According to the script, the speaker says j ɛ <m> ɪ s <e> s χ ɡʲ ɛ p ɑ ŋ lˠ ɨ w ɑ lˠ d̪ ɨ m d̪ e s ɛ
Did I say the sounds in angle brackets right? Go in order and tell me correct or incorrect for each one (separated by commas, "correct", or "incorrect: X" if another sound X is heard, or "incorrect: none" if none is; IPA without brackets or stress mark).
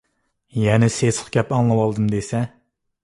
incorrect: n, correct